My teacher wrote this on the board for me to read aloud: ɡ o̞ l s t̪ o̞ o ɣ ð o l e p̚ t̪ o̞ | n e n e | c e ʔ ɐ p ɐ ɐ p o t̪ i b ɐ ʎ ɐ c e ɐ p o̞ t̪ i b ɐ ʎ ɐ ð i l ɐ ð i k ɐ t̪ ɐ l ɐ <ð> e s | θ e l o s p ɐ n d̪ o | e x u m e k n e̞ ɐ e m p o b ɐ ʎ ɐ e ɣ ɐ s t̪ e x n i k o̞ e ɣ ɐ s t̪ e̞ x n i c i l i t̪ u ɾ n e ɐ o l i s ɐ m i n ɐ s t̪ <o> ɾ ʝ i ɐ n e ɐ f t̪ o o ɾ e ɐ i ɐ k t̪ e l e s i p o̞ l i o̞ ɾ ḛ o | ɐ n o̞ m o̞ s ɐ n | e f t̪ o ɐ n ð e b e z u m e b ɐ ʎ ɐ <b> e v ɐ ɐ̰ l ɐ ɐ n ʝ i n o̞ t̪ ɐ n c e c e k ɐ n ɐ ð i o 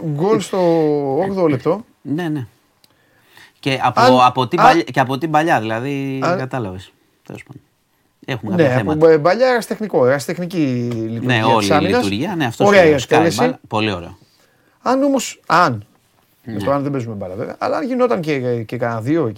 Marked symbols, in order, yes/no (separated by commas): no, no, no